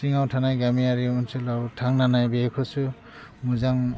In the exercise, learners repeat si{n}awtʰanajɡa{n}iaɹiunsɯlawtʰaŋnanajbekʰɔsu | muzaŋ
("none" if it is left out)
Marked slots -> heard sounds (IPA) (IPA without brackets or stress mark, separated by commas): ŋ, m